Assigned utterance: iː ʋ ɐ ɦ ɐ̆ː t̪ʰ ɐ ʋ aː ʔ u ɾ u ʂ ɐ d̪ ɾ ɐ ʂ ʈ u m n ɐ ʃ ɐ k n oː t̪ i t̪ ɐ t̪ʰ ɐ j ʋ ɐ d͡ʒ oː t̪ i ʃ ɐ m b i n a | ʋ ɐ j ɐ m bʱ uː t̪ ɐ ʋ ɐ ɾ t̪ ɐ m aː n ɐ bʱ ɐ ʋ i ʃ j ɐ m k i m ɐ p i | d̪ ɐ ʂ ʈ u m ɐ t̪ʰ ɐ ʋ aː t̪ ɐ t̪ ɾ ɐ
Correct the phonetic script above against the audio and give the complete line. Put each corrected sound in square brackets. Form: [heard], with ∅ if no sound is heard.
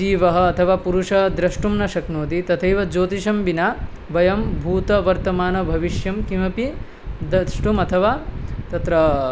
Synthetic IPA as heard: iː ʋ ɐ ɦ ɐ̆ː t̪ʰ ɐ ʋ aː [p] u ɾ u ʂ ɐ d̪ ɾ ɐ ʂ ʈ u m n ɐ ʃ ɐ k n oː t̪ i t̪ ɐ t̪ʰ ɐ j ʋ ɐ d͡ʒ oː t̪ i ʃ ɐ m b i n a | ʋ ɐ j ɐ m bʱ uː t̪ ɐ ʋ ɐ ɾ t̪ ɐ m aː n ɐ bʱ ɐ ʋ i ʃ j ɐ m k i m ɐ p i | d̪ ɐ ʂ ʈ u m ɐ t̪ʰ ɐ ʋ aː t̪ ɐ t̪ ɾ ɐ